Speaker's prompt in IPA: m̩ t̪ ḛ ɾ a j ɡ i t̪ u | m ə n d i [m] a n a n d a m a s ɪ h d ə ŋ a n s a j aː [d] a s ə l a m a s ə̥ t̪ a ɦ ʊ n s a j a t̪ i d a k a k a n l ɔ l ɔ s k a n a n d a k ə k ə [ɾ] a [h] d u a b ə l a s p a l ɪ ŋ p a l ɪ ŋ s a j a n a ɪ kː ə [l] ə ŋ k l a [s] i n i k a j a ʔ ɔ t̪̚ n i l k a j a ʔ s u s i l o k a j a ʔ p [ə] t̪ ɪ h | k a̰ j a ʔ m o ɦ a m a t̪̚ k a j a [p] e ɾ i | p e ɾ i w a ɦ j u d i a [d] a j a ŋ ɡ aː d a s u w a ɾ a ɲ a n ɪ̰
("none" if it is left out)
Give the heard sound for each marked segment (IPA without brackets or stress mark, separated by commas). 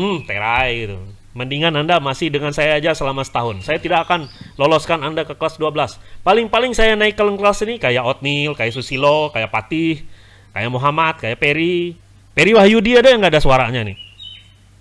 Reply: ŋ, d͡ʒ, l, s, l, s, a, p, d